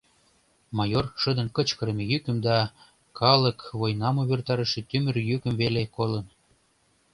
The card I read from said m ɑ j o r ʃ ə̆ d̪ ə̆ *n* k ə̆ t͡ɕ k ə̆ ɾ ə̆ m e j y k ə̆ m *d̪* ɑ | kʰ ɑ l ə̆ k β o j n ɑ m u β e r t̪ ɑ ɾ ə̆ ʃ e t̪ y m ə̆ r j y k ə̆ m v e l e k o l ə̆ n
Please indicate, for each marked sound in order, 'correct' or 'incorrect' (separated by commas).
correct, correct